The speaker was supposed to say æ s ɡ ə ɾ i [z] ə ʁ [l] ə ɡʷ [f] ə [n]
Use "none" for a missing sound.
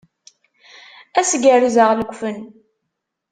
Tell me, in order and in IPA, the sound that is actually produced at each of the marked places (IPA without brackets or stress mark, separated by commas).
z, l, f, n